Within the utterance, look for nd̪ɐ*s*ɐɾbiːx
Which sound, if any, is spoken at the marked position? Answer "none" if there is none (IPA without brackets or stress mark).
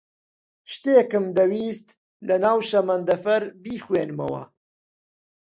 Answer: f